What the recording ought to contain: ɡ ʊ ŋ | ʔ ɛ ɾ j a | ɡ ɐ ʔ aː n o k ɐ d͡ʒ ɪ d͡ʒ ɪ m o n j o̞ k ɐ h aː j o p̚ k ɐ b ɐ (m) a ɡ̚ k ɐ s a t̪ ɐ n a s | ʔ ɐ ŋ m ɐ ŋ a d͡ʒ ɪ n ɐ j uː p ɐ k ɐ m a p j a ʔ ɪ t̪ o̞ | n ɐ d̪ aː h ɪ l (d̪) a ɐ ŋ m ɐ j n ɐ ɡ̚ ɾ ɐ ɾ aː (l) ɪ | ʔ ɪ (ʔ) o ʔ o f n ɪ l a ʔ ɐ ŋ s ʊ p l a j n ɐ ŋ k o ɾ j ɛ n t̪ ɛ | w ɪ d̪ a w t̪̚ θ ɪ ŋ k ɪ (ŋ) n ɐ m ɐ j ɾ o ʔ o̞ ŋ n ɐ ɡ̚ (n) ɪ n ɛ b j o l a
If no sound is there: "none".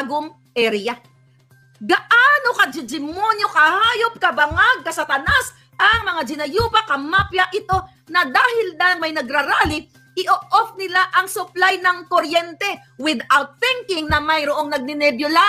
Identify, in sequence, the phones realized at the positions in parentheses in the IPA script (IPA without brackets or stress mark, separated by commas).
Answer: ŋ, d̪, l, ʔ, ŋ, n